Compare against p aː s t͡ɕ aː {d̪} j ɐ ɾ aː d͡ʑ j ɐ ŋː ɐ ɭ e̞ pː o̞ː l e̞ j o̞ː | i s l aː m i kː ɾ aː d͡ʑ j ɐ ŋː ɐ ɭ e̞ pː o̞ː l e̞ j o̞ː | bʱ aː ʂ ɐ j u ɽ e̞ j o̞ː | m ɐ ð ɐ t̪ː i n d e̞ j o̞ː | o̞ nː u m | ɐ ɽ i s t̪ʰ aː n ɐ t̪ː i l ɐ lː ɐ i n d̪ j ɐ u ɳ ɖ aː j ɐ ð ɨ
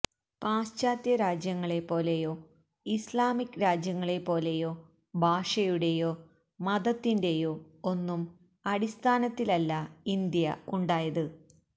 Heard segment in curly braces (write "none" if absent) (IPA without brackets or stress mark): t̪